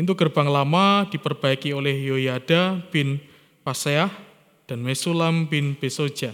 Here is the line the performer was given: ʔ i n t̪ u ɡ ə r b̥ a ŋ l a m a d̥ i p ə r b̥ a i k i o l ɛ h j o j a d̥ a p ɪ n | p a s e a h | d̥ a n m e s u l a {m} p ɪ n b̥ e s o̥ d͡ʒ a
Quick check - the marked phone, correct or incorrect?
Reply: correct